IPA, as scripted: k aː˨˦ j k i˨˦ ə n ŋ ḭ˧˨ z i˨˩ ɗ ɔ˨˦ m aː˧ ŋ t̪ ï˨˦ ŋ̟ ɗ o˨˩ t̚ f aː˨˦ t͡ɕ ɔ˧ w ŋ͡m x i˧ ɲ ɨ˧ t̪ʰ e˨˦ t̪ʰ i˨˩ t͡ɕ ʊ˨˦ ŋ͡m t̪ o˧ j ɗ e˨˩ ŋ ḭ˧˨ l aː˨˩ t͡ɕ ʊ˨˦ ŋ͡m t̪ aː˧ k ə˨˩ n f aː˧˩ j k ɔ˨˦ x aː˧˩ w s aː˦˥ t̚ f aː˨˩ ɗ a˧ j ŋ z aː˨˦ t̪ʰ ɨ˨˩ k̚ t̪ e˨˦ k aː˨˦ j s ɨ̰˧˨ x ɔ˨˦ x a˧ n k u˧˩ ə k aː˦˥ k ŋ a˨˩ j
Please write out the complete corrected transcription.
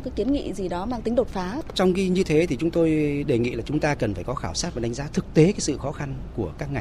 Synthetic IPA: k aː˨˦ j k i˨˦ ə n ŋ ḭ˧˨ z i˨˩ ɗ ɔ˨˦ m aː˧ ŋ t̪ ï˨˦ ŋ̟ ɗ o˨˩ t̚ f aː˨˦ t͡ɕ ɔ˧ w ŋ͡m x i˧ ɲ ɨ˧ t̪ʰ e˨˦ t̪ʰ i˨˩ t͡ɕ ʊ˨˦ ŋ͡m t̪ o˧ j ɗ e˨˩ ŋ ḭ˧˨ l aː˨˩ t͡ɕ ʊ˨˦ ŋ͡m t̪ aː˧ k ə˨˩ n f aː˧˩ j k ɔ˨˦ x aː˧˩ w s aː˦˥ t̚ v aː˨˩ ɗ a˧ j ŋ z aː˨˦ t̪ʰ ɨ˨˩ k̚ t̪ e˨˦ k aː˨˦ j s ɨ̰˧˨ x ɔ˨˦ x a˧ n k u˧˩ ə k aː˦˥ k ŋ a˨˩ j